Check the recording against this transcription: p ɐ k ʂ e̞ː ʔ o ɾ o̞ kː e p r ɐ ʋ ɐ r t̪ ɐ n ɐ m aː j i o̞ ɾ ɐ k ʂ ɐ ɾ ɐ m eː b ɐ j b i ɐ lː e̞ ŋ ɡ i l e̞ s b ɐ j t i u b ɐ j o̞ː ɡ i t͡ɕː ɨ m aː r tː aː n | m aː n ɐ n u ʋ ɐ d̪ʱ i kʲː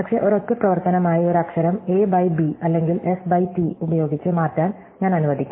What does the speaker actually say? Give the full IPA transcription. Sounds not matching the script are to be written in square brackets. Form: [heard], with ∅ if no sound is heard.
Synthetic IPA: p ɐ k ʂ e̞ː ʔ o ɾ o̞ kː e p r ɐ ʋ ɐ r t̪ ɐ n ɐ m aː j i o̞ ɾ ɐ k ʂ ɐ ɾ ɐ m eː b ɐ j b i ɐ lː e̞ ŋ ɡ i l e̞ s b ɐ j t i u b ɐ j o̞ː ɡ i t͡ɕː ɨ m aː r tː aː n | [ɲ] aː n ɐ n u ʋ ɐ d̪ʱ i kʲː

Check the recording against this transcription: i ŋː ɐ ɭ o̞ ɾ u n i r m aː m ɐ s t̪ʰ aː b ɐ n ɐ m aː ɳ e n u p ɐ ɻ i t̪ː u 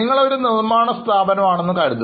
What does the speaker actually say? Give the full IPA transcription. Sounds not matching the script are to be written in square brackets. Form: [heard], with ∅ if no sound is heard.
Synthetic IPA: i ŋː ɐ ɭ o̞ ɾ u n i r m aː [ɳ] ɐ s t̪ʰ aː b ɐ n ɐ m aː ɳ e [nː] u [k] ɐ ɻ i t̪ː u

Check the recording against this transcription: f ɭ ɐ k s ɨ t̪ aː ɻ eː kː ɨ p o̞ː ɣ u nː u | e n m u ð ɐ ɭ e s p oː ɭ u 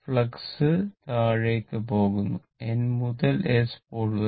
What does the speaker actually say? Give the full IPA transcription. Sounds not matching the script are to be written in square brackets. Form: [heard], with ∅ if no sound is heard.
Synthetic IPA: f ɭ ɐ k s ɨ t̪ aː ɻ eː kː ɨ p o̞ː ɣ u nː u | e n m u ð ɐ [l] e s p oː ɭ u

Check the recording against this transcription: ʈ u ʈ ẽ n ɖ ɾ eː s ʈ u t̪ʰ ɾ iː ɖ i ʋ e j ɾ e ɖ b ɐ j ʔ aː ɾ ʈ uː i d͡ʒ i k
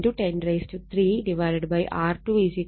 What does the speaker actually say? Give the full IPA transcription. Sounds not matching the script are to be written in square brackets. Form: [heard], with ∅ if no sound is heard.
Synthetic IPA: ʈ u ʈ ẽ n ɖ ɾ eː s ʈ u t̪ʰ ɾ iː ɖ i ʋ [a] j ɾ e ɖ b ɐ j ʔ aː ɾ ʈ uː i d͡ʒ i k

